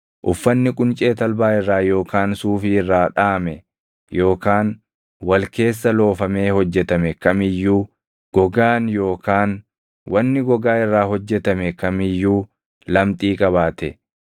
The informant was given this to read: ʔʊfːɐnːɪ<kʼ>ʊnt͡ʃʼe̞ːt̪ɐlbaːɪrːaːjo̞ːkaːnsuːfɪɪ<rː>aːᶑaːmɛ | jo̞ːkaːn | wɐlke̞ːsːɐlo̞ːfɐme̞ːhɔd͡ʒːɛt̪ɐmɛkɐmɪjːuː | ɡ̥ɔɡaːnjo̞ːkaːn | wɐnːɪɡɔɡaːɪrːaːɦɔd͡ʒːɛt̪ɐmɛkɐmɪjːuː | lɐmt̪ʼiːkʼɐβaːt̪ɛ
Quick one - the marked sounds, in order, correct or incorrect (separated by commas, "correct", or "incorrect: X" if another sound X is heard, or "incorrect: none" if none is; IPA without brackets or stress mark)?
correct, correct